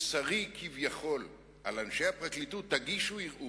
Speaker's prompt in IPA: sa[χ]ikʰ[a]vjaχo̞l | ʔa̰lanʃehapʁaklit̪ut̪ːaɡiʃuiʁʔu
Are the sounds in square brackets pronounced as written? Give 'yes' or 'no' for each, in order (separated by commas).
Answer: no, no